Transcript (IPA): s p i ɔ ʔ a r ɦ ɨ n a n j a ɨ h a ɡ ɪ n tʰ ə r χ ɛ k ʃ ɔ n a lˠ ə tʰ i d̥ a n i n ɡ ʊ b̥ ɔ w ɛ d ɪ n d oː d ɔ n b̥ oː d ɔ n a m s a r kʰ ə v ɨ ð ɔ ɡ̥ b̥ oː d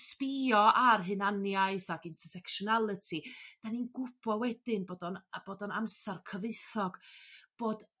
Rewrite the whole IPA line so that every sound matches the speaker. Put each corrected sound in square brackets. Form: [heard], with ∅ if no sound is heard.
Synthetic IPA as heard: s p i ɔ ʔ a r ɦ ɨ n a n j a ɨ [θ] a ɡ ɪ n tʰ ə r [s] ɛ k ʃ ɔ n a lˠ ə tʰ i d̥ a n i n ɡ ʊ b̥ ɔ w ɛ d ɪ n [b] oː d ɔ n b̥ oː d ɔ n a m s a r kʰ ə v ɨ [θ] ɔ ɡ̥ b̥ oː d